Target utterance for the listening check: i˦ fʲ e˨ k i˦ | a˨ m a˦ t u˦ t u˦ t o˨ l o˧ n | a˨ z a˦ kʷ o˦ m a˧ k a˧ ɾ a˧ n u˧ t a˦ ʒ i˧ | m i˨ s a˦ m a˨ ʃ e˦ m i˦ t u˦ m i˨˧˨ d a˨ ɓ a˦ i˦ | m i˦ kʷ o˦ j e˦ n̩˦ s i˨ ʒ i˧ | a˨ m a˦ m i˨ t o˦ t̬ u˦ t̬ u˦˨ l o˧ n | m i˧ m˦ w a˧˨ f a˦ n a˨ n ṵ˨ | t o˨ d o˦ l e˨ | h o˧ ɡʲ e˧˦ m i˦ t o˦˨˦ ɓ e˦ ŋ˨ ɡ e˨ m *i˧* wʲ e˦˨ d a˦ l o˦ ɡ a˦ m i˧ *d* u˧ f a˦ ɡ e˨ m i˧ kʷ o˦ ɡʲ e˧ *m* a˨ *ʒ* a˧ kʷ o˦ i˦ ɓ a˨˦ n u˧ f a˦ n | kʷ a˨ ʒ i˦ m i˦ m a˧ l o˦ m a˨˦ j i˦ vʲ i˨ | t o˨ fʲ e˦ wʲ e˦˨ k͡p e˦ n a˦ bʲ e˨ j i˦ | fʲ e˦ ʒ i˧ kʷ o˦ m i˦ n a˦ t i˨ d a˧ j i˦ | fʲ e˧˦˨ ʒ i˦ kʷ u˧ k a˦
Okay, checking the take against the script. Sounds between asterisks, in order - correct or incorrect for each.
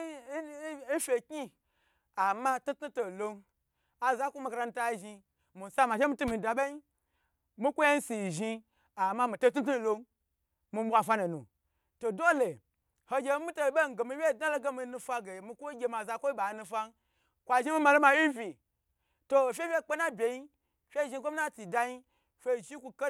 correct, incorrect, correct, incorrect

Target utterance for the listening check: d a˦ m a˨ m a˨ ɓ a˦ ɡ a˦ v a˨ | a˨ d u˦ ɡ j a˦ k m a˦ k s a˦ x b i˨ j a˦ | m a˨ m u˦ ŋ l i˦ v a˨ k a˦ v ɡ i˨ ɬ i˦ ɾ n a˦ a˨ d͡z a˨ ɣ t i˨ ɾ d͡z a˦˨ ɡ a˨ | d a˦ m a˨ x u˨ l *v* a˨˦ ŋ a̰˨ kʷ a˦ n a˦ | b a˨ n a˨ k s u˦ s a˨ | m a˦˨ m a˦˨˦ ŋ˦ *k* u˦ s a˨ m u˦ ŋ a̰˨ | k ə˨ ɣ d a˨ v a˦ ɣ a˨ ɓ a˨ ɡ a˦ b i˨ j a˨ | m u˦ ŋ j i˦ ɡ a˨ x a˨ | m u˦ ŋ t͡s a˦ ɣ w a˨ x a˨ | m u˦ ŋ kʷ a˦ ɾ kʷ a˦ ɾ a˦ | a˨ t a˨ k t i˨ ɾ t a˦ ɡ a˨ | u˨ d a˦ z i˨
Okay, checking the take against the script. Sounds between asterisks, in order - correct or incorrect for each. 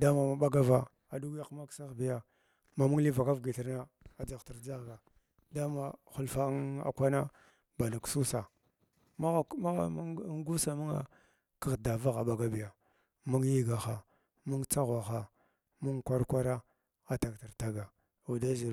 incorrect, incorrect

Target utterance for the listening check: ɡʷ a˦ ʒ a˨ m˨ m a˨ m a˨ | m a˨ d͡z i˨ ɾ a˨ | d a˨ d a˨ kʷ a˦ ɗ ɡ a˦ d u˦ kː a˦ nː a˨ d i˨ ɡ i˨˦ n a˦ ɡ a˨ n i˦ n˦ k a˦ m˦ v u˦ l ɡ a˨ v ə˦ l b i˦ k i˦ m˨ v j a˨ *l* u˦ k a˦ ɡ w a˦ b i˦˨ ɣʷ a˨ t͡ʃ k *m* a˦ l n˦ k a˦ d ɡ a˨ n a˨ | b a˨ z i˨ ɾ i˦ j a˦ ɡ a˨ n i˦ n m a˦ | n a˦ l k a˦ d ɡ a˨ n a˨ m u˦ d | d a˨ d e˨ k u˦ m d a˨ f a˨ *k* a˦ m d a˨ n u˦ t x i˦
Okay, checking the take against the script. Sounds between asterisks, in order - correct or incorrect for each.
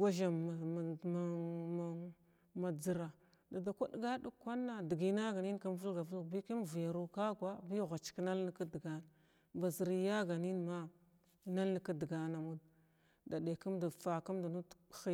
incorrect, incorrect, correct

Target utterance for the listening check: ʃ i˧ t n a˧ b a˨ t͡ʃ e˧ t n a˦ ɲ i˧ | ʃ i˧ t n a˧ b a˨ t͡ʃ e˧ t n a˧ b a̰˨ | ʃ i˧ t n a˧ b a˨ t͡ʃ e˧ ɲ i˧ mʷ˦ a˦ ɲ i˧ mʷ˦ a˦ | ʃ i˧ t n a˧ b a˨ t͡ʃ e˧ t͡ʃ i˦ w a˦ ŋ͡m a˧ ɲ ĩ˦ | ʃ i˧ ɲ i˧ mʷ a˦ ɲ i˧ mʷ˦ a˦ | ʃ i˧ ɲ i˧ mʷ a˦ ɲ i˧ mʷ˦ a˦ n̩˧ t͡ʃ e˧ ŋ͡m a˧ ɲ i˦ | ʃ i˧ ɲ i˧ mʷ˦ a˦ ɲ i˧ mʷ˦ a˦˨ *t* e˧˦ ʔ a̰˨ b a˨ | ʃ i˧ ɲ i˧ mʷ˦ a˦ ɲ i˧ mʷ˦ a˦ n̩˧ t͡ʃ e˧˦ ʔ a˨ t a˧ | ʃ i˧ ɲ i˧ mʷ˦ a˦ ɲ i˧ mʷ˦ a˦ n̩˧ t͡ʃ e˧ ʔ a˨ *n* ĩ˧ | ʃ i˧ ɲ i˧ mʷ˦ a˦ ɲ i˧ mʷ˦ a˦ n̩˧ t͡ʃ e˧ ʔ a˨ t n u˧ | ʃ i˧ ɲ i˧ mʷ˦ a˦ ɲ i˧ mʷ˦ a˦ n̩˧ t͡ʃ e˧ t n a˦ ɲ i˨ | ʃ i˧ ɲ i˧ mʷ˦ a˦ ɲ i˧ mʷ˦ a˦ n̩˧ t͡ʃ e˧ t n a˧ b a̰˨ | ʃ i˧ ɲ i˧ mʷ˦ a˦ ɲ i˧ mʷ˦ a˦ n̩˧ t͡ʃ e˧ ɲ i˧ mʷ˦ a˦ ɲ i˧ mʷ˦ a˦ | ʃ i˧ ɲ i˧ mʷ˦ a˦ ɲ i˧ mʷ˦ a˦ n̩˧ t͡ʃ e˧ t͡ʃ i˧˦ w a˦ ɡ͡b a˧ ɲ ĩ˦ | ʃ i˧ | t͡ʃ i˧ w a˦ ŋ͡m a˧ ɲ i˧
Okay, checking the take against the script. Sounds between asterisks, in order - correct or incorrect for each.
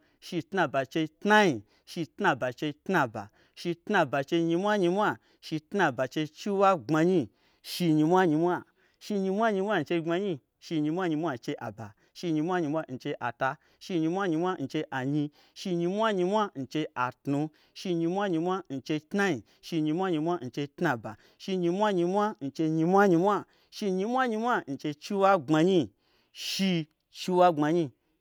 incorrect, incorrect

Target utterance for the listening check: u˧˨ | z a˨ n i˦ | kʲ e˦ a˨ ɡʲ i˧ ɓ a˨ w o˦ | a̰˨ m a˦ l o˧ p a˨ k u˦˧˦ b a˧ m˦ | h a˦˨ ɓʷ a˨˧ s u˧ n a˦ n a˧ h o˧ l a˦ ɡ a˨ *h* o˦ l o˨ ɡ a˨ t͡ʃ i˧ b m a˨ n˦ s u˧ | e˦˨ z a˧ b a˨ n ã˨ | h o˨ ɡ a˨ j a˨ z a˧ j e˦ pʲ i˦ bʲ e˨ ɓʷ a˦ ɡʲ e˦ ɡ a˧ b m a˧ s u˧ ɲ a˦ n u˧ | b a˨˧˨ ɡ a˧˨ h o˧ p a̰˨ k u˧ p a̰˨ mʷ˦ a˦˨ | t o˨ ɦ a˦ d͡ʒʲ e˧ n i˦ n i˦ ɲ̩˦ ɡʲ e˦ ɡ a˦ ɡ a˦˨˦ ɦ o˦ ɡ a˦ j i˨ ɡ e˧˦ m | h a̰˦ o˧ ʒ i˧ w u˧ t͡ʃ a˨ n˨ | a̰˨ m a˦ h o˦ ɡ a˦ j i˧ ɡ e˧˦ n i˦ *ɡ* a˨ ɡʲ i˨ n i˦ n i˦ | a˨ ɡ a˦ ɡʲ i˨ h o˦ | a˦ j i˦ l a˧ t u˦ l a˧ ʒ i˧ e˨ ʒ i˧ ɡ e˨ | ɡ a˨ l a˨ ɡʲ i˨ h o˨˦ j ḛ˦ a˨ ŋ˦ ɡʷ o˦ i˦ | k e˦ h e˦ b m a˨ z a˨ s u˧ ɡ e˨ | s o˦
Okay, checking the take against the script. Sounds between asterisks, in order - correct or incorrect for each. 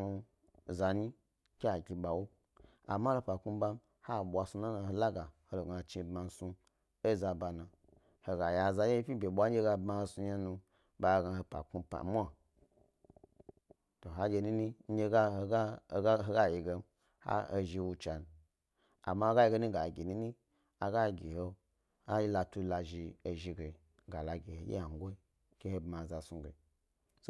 correct, correct

